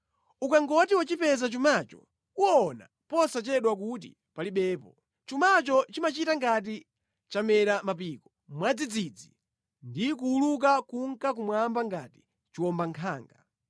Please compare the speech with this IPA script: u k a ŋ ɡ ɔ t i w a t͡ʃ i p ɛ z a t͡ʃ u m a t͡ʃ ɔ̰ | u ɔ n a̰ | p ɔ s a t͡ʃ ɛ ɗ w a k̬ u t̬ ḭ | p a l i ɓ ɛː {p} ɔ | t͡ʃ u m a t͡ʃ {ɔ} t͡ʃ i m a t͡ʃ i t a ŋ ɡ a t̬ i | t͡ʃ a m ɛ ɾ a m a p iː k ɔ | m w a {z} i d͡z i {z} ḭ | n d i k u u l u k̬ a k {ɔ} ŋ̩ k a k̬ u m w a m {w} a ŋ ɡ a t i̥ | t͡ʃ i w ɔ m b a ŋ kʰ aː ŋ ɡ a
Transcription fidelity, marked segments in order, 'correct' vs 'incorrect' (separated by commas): correct, correct, incorrect, incorrect, incorrect, incorrect